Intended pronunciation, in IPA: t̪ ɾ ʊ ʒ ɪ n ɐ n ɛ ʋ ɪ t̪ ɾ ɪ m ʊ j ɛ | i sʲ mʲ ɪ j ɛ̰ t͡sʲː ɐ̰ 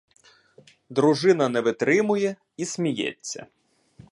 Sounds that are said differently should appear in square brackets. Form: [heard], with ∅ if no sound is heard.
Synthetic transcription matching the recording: [d̪] ɾ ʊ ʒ ɪ n ɐ n ɛ ʋ ɪ t̪ ɾ ɪ m ʊ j ɛ | i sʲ mʲ [i] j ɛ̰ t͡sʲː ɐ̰